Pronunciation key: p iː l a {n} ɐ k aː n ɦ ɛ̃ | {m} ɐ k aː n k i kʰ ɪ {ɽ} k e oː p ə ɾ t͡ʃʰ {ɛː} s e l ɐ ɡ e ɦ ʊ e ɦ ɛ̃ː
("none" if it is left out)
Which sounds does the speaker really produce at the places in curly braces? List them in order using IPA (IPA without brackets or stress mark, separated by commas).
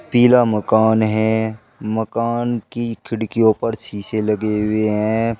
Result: m, m, ɽ, iː